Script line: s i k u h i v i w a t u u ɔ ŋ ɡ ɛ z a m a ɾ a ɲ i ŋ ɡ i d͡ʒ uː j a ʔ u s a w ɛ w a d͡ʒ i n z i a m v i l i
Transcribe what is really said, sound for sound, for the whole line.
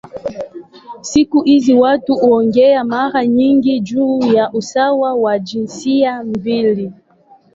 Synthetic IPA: s i k u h i z i w a t u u ɔ ŋ ɡ ɛ a m a ɾ a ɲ i ŋ ɡ i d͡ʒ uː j a ʔ u s a w a w a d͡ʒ i n s i a m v i l i